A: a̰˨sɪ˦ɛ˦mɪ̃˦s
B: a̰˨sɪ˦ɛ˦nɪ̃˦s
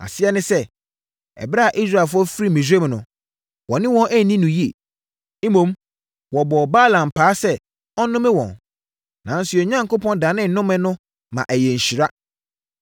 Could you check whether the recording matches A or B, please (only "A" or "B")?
B